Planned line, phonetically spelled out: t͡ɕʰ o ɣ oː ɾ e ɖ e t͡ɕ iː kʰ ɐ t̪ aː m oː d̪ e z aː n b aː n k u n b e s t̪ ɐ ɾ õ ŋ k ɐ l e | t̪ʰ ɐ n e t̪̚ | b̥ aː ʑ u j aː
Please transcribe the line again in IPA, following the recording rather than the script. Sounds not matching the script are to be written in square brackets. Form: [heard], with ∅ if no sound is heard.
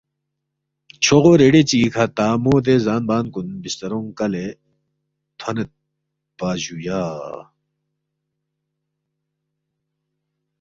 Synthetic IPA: t͡ɕʰ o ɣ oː ɾ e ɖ e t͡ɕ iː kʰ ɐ t̪ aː m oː d̪ e z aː n b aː n k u n b [i] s t̪ ɐ ɾ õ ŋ k ɐ l e | t̪ʰ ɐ n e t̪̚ | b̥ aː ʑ u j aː

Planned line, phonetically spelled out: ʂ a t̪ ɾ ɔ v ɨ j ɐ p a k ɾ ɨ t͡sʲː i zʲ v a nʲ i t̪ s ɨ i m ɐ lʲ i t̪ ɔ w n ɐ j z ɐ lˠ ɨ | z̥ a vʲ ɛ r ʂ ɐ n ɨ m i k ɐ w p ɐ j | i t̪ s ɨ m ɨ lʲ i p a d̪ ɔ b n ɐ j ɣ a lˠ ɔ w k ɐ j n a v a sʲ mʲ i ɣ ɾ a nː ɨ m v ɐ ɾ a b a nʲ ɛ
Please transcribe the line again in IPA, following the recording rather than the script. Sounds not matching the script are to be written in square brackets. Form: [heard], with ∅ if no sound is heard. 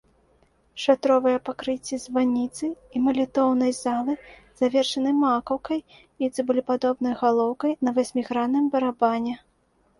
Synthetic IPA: ʂ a t̪ ɾ ɔ v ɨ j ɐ p a k ɾ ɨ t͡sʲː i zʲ v a nʲ i t̪ s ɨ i m ɐ lʲ i t̪ ɔ w n ɐ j z [a] lˠ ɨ | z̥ a vʲ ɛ r ʂ ɐ n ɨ m [a] k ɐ w [k] ɐ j | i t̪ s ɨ [b] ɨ lʲ i p a d̪ ɔ b n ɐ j ɣ a lˠ ɔ w k ɐ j n [ɐ] v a sʲ mʲ i ɣ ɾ a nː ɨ m [b] ɐ ɾ a b a nʲ ɛ

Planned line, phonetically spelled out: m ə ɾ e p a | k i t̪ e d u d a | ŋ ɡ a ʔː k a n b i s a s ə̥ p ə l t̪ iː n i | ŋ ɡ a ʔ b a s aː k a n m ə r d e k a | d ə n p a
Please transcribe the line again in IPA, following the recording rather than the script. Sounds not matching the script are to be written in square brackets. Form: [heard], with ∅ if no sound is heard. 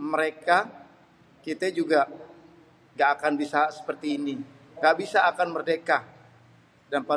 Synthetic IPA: m ə ɾ e [k] a | k i t̪ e [d͡ʒ] u [ɡ] a | ŋ ɡ a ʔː k a n b i s a s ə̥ p ə [r] t̪ iː n i | ŋ ɡ a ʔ b [i] s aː k a n m ə r d e k a | d [a] n p a

